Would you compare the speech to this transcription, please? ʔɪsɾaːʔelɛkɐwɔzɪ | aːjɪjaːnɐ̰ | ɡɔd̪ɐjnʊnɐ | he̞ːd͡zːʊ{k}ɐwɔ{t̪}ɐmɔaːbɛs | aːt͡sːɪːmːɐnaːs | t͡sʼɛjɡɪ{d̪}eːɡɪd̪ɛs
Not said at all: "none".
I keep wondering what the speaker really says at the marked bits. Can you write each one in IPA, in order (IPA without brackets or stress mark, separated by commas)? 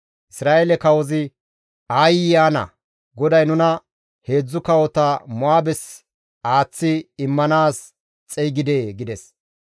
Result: k, t̪, d̪